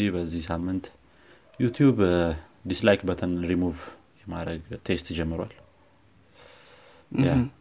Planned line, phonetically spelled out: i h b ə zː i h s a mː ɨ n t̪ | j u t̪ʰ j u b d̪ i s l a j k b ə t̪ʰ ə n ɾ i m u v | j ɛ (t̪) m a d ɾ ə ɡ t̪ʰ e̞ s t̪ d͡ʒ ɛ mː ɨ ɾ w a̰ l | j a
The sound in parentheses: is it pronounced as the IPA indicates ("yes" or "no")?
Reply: no